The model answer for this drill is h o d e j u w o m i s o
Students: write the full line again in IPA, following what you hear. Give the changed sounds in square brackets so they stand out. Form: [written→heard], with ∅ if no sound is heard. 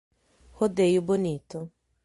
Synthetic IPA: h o d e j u [w→b] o [m→n] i [s→t] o